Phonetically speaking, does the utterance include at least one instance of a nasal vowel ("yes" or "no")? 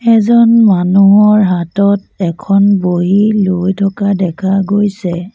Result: no